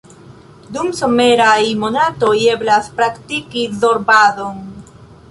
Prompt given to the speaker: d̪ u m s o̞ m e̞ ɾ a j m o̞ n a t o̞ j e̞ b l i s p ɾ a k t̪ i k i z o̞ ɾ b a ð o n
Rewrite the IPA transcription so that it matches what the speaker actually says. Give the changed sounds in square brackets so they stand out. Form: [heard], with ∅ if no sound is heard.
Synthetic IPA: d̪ u m s o̞ m e̞ ɾ a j m o̞ n a t o̞ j e̞ b l [a] s p ɾ a k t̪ i k i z o̞ ɾ b a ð o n